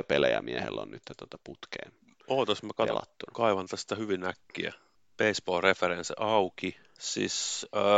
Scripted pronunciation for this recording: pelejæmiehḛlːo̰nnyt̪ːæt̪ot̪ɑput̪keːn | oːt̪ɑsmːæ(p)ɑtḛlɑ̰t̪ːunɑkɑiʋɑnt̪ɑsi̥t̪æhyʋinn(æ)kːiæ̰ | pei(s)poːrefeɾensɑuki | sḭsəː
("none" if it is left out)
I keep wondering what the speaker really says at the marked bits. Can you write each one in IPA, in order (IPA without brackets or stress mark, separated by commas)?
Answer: k, æ, s